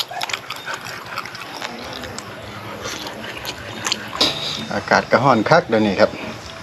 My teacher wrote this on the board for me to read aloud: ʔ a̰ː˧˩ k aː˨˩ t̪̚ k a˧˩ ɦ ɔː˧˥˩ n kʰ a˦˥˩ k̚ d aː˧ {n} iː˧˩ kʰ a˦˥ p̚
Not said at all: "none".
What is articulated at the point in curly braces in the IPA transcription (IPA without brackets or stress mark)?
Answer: n